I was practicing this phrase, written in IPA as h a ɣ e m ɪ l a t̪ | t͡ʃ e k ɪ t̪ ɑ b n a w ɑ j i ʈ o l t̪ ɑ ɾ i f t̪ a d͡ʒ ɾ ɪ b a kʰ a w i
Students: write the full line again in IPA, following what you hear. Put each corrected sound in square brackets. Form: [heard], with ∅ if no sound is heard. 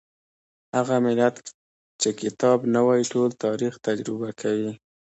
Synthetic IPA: h a ɣ [a] m ɪ l a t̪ | t͡ʃ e k ɪ t̪ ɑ b n a w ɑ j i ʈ o l t̪ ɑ ɾ i [x] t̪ a d͡ʒ ɾ ɪ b a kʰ a w i